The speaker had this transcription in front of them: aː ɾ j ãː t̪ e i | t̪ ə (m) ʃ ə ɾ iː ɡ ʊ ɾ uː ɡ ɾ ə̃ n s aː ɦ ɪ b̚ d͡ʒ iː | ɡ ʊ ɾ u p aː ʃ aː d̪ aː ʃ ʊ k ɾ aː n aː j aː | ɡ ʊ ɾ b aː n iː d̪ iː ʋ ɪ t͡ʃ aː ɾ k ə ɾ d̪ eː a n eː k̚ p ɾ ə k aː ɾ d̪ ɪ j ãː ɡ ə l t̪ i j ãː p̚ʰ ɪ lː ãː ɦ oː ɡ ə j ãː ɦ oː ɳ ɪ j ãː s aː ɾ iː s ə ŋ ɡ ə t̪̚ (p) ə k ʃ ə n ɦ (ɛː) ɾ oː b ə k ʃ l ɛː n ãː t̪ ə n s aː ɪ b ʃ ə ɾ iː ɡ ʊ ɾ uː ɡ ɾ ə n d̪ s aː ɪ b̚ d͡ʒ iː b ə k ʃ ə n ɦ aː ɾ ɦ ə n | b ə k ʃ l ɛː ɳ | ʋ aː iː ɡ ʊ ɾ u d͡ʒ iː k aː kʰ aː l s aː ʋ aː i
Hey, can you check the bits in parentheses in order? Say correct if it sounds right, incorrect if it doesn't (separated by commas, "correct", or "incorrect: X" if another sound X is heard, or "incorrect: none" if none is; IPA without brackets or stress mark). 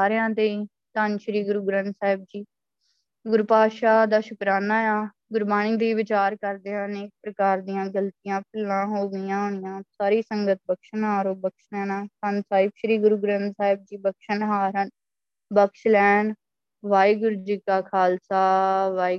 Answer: incorrect: n, incorrect: b, incorrect: aː